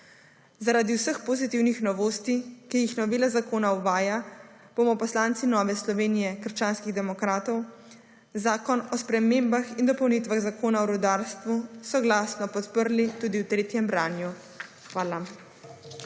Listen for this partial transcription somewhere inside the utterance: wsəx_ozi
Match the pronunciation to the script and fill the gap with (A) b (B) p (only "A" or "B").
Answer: B